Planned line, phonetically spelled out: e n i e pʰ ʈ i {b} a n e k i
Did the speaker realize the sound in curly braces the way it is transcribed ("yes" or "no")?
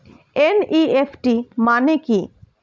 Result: no